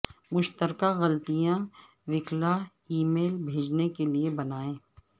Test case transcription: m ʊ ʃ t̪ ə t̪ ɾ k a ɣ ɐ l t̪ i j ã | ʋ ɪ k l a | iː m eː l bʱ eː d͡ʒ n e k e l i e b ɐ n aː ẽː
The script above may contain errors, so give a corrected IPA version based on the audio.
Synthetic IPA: m ʊ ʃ t̪ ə ɾ k a ɣ ɐ l t̪ i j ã | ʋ ɪ k l a | iː m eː l bʱ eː d͡ʒ n e k e l i e b ɐ n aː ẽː